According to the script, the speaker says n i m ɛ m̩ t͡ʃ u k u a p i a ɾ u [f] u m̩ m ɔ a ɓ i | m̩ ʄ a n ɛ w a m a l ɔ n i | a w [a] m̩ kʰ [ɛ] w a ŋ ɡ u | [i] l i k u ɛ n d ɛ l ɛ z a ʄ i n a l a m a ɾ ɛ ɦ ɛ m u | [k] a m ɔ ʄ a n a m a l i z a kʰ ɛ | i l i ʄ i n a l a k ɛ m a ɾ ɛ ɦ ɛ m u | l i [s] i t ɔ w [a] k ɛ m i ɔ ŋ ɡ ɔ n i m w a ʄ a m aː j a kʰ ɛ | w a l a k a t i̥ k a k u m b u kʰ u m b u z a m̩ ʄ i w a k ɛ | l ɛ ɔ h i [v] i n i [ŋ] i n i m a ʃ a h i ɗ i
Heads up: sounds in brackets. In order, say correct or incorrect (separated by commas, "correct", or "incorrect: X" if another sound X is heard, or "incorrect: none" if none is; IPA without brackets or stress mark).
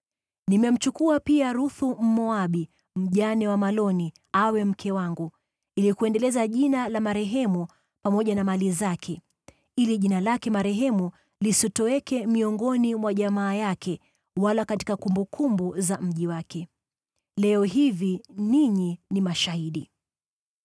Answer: incorrect: θ, incorrect: ɛ, correct, correct, incorrect: p, correct, incorrect: ɛ, correct, incorrect: ɲ